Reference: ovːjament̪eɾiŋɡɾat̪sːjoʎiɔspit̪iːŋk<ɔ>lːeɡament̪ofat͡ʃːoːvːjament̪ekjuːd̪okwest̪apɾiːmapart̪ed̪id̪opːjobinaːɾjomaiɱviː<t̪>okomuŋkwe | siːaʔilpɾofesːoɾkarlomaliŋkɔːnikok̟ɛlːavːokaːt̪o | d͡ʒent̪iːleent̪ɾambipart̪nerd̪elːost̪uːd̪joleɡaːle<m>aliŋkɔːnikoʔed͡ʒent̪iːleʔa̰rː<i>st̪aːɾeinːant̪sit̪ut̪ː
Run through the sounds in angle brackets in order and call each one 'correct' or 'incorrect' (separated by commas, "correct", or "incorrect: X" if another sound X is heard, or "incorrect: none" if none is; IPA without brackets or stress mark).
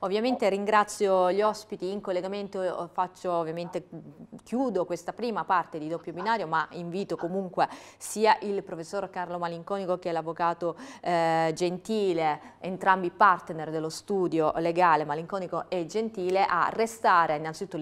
incorrect: o, correct, correct, incorrect: e